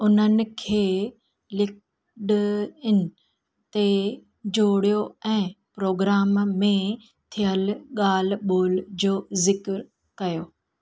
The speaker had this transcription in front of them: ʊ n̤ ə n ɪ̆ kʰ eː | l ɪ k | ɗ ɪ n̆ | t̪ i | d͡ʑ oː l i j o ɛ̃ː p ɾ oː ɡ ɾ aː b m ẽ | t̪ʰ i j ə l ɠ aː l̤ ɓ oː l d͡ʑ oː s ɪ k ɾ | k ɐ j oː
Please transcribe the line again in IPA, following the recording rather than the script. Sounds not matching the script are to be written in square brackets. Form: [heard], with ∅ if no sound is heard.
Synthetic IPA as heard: ʊ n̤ ə n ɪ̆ kʰ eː | l ɪ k | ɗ ɪ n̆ | t̪ [e] | d͡ʑ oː [ɽ] i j o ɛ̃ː p ɾ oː ɡ ɾ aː [m] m ẽ | t̪ʰ i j ə l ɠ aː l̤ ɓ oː l d͡ʑ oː [z] ɪ k ɾ | k ɐ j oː

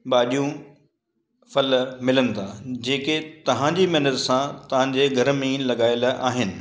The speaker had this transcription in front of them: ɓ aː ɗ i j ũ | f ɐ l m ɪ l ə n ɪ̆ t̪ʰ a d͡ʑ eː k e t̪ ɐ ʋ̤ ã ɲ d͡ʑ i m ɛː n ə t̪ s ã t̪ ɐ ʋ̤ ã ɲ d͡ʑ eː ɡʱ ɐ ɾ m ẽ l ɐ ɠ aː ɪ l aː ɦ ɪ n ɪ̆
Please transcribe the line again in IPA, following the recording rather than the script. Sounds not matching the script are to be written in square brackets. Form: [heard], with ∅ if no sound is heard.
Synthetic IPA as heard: ɓ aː ɗ i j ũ | f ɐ l m ɪ l ə n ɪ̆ t̪ʰ a d͡ʑ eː k e t̪ ɐ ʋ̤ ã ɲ d͡ʑ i m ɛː n ə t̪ s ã t̪ ɐ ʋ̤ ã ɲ d͡ʑ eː ɡʱ ɐ ɾ m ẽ l ɐ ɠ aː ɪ l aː ɦ ɪ n ɪ̆

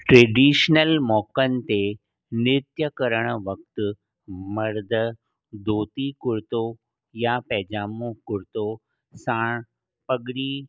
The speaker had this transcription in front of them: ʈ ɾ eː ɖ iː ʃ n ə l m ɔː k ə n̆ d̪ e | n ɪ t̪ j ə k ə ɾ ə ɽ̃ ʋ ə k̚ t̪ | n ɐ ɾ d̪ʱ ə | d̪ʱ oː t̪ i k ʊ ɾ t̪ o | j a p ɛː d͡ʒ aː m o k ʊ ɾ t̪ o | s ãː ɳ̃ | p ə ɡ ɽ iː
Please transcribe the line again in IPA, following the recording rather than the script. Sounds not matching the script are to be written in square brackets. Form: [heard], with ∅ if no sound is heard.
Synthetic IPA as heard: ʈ ɾ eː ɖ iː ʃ n ə l m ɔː k ə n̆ [t̪] e | n ɪ t̪ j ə k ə ɾ ə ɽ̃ ʋ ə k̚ t̪ | [m] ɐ ɾ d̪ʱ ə | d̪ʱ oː t̪ i k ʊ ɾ t̪ o | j a p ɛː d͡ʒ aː m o k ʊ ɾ t̪ o | s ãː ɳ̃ | p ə ɡ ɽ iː

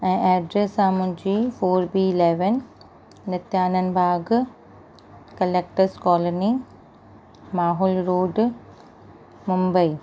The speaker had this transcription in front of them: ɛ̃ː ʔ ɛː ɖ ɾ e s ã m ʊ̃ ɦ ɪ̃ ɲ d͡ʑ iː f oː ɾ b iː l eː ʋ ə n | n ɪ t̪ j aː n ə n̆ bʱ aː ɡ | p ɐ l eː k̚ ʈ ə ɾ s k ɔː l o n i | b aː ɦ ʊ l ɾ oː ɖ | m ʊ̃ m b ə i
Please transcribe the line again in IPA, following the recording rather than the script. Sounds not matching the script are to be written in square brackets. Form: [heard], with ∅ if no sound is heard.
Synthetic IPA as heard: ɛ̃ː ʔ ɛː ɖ ɾ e s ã m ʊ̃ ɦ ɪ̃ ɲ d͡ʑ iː f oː ɾ b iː l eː ʋ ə n | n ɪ t̪ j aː n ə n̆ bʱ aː ɡ | [k] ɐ l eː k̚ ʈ ə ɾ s k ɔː l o n i | [m] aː ɦ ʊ l ɾ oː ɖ | m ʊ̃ m b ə i

